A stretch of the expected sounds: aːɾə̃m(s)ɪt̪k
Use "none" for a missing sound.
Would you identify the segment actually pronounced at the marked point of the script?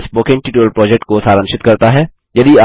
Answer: ʃ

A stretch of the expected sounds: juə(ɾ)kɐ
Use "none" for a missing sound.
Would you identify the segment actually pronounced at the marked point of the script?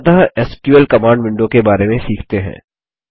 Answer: l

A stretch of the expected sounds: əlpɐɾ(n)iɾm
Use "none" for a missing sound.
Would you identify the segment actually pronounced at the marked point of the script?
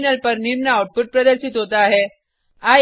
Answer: n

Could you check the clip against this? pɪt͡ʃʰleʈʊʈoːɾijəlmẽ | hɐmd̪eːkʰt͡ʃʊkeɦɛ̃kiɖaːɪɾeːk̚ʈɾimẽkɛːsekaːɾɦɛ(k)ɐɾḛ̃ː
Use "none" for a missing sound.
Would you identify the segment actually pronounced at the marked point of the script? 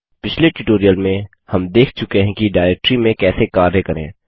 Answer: k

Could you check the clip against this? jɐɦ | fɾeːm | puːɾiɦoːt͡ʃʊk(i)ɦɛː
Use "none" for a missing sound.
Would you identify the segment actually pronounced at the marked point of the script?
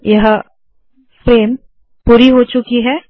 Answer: i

